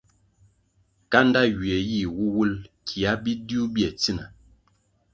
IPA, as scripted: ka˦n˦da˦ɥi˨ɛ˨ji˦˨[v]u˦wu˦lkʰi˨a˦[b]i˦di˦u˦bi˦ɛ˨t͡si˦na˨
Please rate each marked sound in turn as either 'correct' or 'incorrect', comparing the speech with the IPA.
incorrect, correct

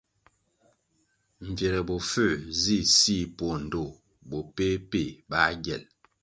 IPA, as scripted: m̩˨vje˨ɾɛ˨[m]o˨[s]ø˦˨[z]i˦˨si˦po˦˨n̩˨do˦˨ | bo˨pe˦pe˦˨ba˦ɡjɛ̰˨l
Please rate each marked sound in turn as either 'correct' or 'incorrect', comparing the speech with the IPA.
incorrect, incorrect, correct

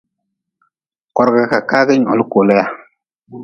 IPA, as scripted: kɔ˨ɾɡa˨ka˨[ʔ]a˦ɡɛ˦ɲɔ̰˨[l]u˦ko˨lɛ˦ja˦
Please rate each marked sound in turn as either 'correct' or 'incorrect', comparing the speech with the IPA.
incorrect, correct

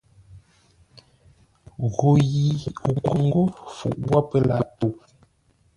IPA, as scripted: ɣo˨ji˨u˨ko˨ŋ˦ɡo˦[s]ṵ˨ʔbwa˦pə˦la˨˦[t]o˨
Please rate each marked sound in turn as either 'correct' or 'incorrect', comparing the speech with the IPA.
incorrect, correct

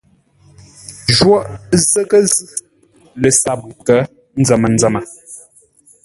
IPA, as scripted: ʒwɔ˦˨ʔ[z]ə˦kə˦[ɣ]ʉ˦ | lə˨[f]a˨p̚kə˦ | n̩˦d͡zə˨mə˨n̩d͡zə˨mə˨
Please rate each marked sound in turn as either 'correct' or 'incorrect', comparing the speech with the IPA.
correct, incorrect, incorrect

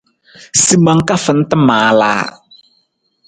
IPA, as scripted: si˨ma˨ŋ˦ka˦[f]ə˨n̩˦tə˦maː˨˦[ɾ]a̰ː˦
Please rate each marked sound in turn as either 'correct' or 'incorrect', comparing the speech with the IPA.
correct, incorrect

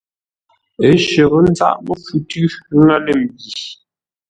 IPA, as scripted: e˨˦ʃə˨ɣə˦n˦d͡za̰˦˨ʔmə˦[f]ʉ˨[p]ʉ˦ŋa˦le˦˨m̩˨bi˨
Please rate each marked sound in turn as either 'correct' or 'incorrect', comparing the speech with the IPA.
correct, incorrect

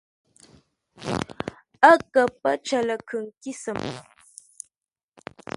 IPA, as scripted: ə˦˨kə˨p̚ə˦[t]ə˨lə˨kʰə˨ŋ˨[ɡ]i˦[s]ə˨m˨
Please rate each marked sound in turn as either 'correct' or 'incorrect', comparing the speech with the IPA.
incorrect, incorrect, correct

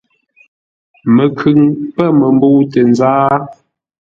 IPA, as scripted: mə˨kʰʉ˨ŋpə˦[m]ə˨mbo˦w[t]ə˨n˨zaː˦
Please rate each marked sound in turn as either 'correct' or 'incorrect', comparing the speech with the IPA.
correct, correct

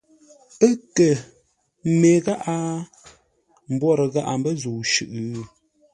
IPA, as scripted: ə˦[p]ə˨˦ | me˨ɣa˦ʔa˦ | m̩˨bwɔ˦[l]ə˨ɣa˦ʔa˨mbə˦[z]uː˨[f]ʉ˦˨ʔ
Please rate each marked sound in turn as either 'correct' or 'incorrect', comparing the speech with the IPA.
incorrect, incorrect, correct, incorrect

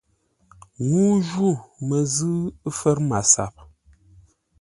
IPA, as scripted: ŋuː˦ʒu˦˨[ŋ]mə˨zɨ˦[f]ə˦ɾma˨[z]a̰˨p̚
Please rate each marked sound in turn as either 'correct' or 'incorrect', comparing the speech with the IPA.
incorrect, correct, incorrect

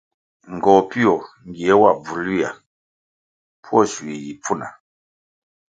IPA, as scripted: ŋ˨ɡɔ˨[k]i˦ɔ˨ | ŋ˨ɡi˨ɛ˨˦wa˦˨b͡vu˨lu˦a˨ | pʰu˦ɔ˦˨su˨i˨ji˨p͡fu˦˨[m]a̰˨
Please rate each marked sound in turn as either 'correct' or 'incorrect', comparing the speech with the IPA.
incorrect, incorrect

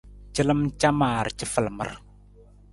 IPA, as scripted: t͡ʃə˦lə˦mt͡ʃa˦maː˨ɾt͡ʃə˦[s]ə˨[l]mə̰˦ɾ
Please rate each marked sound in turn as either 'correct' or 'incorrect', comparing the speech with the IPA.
incorrect, correct

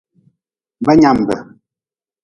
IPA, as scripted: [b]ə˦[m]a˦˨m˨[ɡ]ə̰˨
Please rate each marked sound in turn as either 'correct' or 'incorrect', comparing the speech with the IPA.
correct, incorrect, incorrect

